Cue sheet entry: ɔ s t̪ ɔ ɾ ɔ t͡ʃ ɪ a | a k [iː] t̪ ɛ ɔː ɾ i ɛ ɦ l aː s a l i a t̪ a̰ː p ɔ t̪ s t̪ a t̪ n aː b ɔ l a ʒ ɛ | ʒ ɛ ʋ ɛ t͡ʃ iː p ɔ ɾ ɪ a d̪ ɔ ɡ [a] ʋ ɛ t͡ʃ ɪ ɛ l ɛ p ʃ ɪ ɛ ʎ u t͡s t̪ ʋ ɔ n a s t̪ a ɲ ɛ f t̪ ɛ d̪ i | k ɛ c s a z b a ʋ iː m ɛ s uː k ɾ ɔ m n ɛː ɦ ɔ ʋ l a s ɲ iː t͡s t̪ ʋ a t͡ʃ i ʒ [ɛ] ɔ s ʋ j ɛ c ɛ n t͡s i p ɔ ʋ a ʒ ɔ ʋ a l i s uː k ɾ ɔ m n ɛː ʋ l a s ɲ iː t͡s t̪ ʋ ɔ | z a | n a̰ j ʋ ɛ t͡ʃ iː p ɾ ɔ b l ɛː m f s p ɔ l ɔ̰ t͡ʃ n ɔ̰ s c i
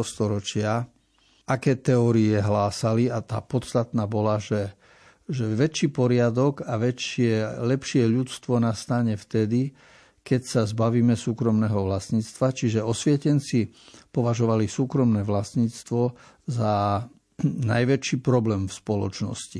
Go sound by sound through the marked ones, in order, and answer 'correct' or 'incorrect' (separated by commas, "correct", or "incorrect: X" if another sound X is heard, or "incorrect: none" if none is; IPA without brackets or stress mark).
incorrect: ɛː, correct, correct